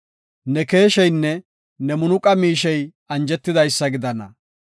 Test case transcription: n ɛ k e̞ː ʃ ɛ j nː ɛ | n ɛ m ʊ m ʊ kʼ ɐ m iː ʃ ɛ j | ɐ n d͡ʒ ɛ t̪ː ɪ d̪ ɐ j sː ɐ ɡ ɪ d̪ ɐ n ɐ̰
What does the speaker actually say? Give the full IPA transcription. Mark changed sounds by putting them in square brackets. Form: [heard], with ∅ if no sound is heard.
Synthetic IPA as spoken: n ɛ k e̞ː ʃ ɛ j nː ɛ | n ɛ m ʊ [n] ʊ kʼ ɐ m iː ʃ ɛ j | ɐ n d͡ʒ ɛ t̪ː ɪ d̪ ɐ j sː ɐ ɡ ɪ d̪ ɐ n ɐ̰